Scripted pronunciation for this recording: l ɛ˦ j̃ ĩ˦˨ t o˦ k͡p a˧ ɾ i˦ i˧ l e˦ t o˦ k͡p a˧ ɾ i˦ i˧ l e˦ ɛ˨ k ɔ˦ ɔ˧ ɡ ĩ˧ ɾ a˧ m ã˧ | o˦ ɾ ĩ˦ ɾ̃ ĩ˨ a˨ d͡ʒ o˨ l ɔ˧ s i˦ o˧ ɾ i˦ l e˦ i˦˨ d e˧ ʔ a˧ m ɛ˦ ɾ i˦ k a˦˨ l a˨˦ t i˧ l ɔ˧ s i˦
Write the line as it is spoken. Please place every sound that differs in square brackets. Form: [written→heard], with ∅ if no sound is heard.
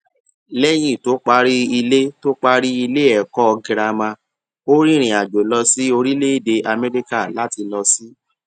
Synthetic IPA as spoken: l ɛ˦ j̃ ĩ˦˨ t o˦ k͡p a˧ ɾ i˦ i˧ l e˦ t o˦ k͡p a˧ ɾ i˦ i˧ l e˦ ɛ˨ k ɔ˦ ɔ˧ ɡ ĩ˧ ɾ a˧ m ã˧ | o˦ ɾ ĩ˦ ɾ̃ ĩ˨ a˨ d͡ʒ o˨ l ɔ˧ s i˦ o˧ ɾ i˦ l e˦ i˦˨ d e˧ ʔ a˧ m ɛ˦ ɾ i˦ k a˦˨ l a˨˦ t i˧ l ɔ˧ s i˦

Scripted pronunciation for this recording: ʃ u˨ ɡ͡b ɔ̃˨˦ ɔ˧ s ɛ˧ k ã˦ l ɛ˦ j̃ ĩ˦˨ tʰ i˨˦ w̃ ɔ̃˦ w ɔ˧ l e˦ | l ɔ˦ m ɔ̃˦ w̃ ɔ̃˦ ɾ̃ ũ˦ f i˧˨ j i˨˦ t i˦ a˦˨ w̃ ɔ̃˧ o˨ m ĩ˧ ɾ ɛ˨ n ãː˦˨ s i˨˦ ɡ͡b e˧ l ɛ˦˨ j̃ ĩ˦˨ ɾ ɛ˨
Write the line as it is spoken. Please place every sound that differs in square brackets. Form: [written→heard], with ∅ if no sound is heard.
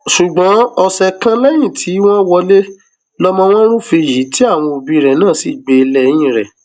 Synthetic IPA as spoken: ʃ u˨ ɡ͡b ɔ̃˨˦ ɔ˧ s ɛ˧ k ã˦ l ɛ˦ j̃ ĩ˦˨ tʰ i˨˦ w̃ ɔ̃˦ w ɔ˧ l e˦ | l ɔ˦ m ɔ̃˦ w̃ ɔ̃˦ ɾ̃ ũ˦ f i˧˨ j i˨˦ t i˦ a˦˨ w̃ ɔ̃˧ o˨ [m→b] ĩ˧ ɾ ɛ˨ n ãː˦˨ s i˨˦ ɡ͡b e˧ l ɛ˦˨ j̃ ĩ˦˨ ɾ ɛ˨

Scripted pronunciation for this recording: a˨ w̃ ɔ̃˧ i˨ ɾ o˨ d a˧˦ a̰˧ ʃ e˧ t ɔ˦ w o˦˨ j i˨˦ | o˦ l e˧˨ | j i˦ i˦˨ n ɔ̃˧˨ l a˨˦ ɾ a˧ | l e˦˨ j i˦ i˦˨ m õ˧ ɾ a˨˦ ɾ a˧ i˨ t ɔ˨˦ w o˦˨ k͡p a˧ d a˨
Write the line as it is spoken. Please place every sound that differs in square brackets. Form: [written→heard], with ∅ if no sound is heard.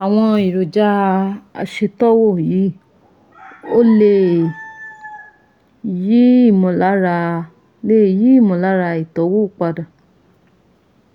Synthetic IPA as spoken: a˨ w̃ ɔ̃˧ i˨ ɾ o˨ [d→d͡ʒ] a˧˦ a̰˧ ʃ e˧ t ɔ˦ w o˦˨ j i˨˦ | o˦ l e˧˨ | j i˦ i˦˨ [n→m] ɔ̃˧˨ l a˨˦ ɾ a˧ | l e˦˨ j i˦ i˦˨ m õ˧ [ɾ→l] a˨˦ ɾ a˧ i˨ t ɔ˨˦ w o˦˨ k͡p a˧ d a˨

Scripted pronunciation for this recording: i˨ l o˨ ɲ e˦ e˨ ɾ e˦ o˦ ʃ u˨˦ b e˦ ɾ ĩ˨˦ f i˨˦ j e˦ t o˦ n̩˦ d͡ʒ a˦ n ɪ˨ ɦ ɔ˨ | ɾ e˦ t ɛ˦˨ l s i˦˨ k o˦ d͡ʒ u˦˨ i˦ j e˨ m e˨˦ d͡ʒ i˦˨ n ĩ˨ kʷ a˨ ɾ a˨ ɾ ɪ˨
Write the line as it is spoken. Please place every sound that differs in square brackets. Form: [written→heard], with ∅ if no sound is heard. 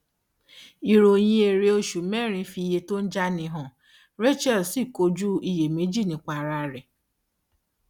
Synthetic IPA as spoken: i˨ [l→ɾ] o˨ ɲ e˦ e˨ ɾ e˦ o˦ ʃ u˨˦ [b→m] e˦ ɾ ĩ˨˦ f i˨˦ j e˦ t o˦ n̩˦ d͡ʒ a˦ n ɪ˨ ɦ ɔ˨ | ɾ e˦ [t→t͡ʃ] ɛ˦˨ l s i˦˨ k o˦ d͡ʒ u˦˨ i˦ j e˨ m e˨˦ d͡ʒ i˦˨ n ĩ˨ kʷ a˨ ɾ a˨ ɾ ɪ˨

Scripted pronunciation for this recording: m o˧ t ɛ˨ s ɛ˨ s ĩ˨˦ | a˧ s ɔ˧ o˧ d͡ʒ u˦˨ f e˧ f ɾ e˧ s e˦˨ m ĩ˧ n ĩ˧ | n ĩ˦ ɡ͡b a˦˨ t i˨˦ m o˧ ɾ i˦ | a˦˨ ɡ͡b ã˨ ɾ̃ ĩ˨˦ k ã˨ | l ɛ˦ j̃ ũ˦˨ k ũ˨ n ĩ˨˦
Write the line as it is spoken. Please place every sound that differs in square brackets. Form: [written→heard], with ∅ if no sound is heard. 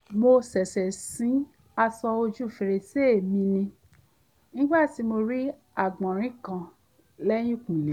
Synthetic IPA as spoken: m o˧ [t→s] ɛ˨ s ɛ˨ s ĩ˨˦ | a˧ s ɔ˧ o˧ d͡ʒ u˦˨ f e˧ [f→∅] ɾ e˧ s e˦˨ m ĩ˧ n ĩ˧ | n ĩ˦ ɡ͡b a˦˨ t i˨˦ m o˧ ɾ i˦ | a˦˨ ɡ͡b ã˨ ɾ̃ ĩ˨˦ k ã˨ | l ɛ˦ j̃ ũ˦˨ k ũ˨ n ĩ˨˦

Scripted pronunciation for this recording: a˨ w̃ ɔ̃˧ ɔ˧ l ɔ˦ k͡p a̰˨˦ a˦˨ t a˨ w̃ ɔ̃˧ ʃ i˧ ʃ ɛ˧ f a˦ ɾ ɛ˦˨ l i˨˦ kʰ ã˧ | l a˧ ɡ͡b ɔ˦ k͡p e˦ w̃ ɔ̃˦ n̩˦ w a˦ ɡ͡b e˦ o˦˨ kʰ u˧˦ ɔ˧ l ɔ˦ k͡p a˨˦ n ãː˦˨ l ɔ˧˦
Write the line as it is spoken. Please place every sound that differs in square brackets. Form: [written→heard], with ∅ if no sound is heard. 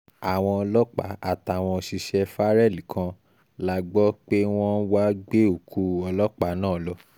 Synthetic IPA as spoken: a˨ w̃ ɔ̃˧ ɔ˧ l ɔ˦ k͡p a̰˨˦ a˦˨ t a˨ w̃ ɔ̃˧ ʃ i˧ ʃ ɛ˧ f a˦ ɾ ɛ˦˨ l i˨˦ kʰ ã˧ | l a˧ ɡ͡b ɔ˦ k͡p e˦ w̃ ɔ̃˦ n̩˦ w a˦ ɡ͡b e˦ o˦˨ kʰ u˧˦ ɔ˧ l ɔ˦ k͡p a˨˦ n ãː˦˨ l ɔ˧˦

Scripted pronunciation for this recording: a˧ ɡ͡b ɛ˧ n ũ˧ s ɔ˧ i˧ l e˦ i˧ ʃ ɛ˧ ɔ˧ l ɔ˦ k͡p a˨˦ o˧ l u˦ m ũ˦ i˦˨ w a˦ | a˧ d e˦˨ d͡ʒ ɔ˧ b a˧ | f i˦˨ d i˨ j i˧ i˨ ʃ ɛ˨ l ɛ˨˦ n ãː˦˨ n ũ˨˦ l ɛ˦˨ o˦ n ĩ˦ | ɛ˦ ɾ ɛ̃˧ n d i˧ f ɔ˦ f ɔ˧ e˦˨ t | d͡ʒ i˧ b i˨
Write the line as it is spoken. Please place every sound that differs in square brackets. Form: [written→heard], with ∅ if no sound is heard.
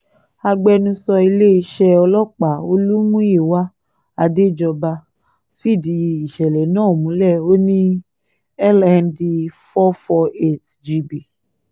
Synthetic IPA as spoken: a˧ ɡ͡b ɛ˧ n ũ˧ s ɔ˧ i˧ l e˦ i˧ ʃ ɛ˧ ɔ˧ l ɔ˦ k͡p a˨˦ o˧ l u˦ m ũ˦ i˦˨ w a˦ | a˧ d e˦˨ d͡ʒ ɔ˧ b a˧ | f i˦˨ d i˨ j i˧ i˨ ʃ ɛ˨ l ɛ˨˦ n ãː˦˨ [n→m] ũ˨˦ l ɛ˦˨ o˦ n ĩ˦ | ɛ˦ [ɾ→l] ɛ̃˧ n d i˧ f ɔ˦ f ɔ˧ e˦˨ t | d͡ʒ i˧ b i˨

